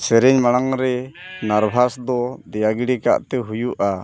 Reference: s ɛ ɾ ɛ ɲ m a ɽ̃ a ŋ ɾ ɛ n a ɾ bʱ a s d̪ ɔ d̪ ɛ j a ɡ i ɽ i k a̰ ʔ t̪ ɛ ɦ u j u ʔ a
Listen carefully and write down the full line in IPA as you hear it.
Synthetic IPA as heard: s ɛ ɾ ɛ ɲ m a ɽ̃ a ŋ ɾ ɛ n a ɾ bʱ a s d̪ ɔ d̪ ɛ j a ɡ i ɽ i k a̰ ʔ t̪ ɛ ɦ u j u ʔ a